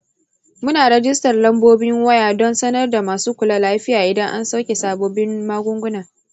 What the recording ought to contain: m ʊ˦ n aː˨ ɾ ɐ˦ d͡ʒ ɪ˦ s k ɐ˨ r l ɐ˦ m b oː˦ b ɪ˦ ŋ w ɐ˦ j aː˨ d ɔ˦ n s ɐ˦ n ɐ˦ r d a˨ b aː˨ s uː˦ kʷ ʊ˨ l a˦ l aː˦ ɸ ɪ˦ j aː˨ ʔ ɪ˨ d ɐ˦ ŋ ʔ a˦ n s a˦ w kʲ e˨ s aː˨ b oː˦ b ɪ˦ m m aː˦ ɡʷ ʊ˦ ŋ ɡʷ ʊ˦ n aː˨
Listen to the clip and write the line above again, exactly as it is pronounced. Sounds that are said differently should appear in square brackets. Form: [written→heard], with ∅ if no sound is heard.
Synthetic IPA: m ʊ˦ n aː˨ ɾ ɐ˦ d͡ʒ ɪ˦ s [k→t] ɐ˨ r l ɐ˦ m b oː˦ b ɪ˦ ŋ w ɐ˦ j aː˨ d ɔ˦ n s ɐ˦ n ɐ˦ r d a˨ [b→m] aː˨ s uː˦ kʷ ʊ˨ l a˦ l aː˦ ɸ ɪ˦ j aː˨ ʔ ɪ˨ d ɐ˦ ŋ ʔ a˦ n s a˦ w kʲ e˨ s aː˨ b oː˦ b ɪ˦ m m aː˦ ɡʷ ʊ˦ ŋ ɡʷ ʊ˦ n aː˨

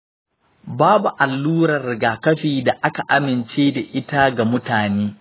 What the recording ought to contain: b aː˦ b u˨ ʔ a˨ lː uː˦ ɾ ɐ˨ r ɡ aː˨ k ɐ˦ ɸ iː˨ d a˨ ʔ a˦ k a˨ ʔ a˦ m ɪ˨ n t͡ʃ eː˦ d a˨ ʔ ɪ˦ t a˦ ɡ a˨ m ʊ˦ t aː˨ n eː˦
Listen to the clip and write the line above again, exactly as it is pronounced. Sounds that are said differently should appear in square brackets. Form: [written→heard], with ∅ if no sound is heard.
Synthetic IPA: b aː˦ b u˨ ʔ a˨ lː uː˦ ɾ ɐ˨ r ɡ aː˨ k ɐ˦ ɸ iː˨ d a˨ ʔ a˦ k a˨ ʔ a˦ m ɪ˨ n t͡ʃ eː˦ d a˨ ʔ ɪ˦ t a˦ ɡ a˨ m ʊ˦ t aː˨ n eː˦

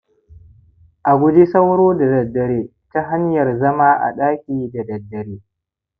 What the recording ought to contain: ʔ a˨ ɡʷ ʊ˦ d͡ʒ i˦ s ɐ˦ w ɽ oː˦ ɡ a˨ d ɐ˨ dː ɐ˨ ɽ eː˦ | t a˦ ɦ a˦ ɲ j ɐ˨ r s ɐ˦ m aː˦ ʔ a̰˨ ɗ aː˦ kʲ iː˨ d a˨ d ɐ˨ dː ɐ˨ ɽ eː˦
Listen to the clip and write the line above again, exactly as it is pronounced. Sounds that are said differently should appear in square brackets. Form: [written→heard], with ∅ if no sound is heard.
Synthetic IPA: ʔ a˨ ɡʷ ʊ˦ d͡ʒ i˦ s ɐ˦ w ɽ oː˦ [ɡ→d] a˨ d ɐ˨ dː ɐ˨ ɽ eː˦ | t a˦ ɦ a˦ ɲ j ɐ˨ r [s→z] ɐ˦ m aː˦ ʔ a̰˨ ɗ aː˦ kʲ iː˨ d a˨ d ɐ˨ dː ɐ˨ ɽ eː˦

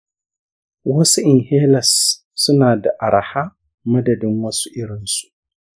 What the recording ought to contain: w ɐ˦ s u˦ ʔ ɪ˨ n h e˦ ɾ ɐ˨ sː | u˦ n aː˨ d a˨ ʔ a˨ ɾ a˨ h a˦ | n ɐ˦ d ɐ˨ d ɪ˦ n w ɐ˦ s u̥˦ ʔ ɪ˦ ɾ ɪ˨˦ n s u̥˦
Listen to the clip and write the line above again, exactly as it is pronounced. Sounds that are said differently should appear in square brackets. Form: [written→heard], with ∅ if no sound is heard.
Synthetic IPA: w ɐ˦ s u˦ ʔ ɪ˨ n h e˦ [ɾ→l] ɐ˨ sː | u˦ n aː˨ d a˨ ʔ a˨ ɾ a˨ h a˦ | [n→m] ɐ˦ d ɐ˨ d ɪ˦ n w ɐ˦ s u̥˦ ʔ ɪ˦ ɾ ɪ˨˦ n s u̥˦

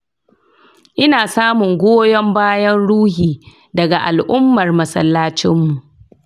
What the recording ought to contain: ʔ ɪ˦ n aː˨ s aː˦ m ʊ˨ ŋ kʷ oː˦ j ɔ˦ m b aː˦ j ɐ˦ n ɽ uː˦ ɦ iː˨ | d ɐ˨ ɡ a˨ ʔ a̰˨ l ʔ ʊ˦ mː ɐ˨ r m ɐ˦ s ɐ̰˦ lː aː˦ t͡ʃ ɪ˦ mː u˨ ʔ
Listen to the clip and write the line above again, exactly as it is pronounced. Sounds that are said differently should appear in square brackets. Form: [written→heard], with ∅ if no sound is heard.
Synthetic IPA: ʔ ɪ˦ n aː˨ s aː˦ m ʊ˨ ŋ [kʷ→ɡʷ] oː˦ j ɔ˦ m b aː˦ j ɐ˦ n ɽ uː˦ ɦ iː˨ | d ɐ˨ ɡ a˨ ʔ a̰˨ l ʔ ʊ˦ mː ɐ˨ r m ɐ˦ s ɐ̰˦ lː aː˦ t͡ʃ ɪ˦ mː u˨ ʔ

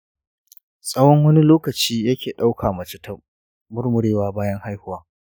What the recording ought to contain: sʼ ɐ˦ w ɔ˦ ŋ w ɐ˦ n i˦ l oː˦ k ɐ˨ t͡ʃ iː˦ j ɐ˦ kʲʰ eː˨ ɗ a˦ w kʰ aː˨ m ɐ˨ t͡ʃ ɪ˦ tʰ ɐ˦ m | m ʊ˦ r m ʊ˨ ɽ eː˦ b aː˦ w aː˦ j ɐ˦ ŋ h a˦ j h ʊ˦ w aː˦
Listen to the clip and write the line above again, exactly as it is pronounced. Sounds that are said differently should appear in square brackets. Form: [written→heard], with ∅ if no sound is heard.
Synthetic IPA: sʼ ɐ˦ w ɔ˦ ŋ w ɐ˦ n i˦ l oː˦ k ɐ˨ t͡ʃ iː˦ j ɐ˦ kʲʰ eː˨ ɗ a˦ w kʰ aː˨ m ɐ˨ t͡ʃ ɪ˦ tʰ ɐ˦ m | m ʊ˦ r m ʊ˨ ɽ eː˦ [b→w] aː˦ [w→b] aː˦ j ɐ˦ ŋ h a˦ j h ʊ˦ w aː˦

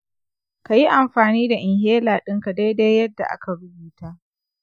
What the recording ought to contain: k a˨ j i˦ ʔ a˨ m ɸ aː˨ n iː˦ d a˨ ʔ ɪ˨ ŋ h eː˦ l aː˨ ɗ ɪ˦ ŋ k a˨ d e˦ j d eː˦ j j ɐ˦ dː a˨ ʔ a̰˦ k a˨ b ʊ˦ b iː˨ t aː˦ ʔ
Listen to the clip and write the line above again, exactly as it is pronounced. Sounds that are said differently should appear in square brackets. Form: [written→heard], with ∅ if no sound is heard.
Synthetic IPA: k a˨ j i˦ ʔ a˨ m ɸ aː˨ n iː˦ d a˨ ʔ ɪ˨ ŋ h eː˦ l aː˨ ɗ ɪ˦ ŋ k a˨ d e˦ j d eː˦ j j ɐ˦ dː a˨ ʔ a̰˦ k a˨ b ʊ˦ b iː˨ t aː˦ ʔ

